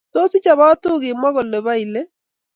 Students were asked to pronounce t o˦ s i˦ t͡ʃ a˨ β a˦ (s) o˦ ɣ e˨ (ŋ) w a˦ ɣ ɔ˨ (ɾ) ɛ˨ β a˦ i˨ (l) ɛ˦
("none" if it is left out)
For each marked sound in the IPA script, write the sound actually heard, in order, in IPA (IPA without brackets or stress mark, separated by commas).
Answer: t, m, l, l